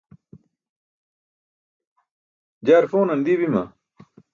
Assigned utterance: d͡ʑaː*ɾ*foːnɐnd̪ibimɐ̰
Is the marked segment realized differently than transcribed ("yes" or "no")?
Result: no